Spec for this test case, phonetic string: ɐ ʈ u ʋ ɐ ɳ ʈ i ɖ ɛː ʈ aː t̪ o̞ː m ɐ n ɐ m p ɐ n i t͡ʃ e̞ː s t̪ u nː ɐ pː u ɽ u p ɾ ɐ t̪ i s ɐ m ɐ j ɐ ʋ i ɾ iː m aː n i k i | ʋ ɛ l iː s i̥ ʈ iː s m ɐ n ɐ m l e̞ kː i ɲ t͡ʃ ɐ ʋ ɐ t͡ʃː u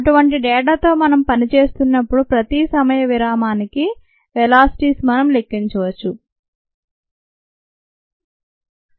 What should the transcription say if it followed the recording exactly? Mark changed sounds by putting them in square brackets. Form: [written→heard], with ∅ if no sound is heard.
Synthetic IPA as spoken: ɐ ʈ u ʋ ɐ ɳ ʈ i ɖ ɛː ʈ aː t̪ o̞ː m ɐ n ɐ m p ɐ n i t͡ʃ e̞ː s t̪ u nː ɐ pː u ɽ u p ɾ ɐ t̪ i s ɐ m ɐ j ɐ ʋ i ɾ [iː→aː] m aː n i k i | ʋ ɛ l [iː→aː] s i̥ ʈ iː s m ɐ n ɐ m l e̞ kː i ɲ t͡ʃ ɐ ʋ ɐ t͡ʃː u